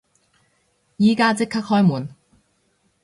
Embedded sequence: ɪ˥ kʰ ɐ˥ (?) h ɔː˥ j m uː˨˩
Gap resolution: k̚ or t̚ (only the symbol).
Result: k̚